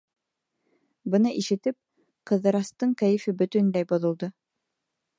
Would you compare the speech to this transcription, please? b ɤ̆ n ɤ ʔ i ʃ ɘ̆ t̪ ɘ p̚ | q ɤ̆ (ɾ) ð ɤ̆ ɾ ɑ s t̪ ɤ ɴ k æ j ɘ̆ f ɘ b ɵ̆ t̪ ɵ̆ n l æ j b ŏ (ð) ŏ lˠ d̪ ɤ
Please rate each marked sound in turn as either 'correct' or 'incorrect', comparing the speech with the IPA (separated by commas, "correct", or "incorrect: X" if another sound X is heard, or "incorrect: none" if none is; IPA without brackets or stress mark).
incorrect: none, correct